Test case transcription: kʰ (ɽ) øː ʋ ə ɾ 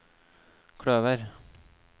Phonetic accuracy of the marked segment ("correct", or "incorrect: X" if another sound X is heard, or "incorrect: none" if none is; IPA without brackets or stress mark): correct